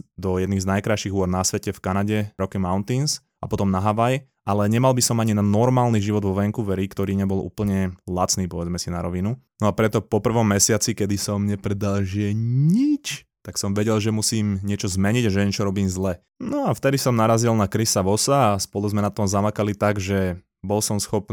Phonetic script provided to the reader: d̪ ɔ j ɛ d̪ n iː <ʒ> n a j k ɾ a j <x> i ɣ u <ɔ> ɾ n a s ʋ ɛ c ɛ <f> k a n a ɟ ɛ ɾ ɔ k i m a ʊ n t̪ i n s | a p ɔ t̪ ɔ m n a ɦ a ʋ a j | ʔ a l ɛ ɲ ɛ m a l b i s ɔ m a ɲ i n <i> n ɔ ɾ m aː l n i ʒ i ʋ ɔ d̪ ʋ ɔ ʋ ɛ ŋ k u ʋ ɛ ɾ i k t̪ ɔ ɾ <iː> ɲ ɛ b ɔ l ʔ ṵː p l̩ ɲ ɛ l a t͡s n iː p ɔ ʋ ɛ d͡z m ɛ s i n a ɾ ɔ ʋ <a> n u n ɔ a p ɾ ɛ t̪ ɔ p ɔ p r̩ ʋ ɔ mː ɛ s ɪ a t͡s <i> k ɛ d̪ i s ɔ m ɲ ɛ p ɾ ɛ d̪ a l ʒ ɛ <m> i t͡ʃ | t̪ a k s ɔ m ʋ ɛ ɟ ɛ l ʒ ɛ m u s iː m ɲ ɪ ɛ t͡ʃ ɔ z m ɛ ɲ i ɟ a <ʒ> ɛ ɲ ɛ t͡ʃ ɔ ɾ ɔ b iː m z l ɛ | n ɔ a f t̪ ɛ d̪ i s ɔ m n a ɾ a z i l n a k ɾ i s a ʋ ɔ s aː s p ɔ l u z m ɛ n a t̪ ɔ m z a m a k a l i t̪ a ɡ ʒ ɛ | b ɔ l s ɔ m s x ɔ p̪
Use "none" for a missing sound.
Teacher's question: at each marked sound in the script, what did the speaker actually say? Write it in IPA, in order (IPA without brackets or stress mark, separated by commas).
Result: z, ʃ, ɔ, f, a, iː, i, i, ɲ, ʒ